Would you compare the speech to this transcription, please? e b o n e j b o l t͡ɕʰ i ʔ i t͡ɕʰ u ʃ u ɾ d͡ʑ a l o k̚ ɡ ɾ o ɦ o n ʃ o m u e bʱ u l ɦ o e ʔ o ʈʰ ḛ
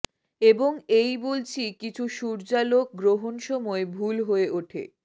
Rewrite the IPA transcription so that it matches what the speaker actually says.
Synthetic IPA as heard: e b o ŋ e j b o l t͡ɕʰ i k i t͡ɕʰ u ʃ u ɾ d͡ʑ a l o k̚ ɡ ɾ o ɦ o n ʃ ɔ m ɔ e bʱ u l ɦ o e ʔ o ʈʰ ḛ